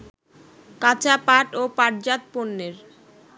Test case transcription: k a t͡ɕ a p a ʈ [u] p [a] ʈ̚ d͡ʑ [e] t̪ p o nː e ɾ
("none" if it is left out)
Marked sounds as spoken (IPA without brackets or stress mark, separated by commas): o, a, a